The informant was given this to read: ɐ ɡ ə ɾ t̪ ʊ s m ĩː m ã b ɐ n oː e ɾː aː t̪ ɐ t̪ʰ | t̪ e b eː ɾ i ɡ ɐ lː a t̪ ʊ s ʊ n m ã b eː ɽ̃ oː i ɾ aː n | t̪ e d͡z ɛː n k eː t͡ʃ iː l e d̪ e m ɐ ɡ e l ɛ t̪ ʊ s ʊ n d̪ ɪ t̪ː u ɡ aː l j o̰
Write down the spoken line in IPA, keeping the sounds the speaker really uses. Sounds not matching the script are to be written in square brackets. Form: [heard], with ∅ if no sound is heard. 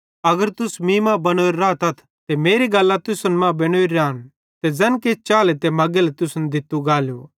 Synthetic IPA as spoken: ɐ ɡ ə ɾ t̪ ʊ s m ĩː m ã b ɐ n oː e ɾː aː t̪ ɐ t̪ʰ | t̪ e [m] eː ɾ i ɡ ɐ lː a t̪ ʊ s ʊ n m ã b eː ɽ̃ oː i ɾ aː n | t̪ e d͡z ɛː n k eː t͡ʃ [aː] l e [t̪] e m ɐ ɡ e l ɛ t̪ ʊ s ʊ n d̪ ɪ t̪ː u ɡ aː l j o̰